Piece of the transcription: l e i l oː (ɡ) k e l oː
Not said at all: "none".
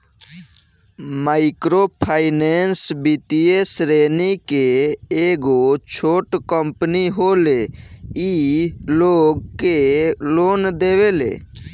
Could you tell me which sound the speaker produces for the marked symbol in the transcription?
ɡ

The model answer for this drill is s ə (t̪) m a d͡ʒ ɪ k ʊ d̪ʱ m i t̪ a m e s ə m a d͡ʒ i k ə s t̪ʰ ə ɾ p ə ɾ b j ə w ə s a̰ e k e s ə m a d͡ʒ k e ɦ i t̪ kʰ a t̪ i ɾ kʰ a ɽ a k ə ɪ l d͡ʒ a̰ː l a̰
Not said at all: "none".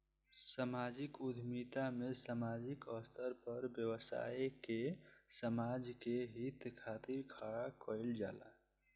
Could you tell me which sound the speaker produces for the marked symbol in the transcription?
none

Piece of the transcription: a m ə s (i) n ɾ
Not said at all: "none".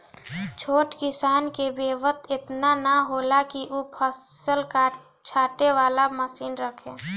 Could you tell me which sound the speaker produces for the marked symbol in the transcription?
iː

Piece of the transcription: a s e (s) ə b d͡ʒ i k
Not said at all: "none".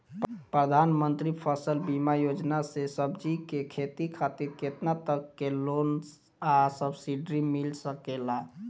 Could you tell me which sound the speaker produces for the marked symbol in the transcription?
s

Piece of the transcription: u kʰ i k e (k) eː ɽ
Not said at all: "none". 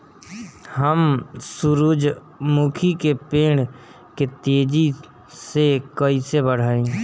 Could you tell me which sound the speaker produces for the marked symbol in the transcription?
p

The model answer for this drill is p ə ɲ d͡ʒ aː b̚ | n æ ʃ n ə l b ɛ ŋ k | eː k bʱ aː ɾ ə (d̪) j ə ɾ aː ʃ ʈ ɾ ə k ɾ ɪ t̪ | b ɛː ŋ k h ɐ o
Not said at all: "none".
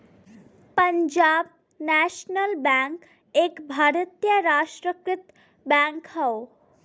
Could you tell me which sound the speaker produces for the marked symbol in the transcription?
t̪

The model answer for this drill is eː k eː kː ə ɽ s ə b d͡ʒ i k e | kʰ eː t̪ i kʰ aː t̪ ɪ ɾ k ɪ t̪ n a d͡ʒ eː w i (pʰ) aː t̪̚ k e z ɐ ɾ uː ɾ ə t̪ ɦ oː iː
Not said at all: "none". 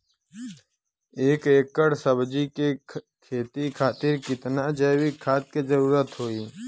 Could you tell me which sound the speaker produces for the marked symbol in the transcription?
kʰ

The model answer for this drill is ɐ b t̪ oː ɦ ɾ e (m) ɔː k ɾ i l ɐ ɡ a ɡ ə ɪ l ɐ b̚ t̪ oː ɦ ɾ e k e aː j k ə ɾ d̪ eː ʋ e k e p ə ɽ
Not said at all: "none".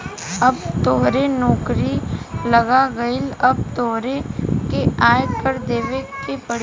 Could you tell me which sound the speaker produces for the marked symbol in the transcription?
n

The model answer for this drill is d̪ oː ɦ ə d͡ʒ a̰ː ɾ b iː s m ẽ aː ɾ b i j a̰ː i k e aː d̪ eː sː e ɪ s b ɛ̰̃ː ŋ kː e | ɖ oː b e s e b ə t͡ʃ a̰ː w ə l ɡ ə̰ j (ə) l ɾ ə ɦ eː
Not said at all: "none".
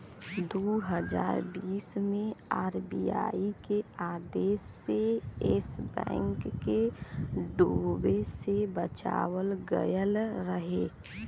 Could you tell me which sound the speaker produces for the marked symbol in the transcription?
ə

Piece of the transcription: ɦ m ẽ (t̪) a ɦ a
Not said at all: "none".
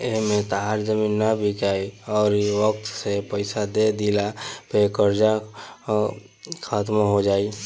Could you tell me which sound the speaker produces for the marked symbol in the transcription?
t̪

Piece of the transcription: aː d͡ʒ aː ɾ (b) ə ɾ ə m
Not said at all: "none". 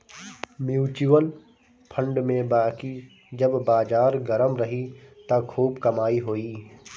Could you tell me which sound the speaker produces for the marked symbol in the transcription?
ɡ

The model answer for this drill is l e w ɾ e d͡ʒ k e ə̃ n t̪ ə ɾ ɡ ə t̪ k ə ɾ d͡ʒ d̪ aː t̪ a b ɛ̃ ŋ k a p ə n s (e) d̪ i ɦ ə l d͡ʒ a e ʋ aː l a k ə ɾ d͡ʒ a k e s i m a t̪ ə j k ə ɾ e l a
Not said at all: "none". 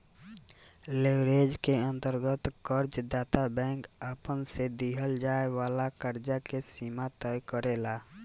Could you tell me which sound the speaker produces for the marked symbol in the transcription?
e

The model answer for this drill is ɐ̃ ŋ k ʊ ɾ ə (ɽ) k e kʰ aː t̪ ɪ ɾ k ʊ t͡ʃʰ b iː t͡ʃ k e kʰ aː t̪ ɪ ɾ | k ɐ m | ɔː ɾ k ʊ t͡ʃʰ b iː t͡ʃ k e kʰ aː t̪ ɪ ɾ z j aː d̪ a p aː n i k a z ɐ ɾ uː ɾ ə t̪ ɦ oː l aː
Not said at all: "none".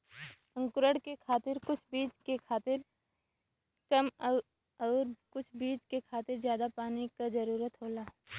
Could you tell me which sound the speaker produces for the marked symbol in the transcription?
ɽ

